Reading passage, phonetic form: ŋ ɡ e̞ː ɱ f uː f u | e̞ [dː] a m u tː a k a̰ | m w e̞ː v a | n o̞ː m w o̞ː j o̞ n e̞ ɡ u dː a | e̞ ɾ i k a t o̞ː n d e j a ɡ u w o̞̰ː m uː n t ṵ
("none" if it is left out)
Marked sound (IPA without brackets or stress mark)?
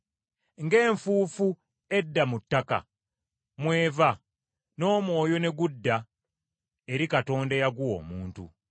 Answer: dː